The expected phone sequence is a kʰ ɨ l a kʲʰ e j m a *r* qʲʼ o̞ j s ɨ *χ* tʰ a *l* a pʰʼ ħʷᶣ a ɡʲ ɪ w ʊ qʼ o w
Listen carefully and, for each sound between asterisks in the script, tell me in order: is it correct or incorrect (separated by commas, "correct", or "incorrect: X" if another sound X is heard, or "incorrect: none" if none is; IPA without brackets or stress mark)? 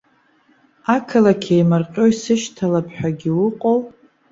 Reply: correct, incorrect: ʃ, correct